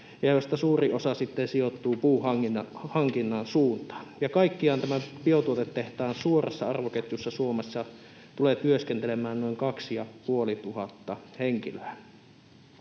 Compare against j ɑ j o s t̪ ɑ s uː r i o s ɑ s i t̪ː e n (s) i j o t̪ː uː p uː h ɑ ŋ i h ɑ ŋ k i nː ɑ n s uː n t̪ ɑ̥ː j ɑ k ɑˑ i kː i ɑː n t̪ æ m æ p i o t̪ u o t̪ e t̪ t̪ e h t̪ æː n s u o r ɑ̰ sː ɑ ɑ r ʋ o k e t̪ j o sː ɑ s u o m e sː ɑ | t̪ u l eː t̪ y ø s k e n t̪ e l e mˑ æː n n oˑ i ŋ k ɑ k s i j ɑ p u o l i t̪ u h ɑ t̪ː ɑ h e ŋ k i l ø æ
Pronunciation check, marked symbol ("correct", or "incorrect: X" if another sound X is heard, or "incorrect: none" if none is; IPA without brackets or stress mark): correct